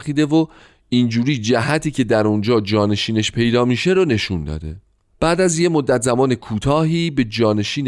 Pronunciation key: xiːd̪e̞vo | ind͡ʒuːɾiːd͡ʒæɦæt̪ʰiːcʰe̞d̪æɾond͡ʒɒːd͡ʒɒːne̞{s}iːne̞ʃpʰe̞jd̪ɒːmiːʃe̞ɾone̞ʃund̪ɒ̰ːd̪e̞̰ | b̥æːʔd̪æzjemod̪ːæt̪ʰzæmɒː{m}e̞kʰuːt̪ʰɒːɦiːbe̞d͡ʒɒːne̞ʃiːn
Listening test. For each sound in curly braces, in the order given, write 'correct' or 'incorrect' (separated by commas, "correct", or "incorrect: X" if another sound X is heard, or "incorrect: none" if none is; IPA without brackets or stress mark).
incorrect: ʃ, incorrect: n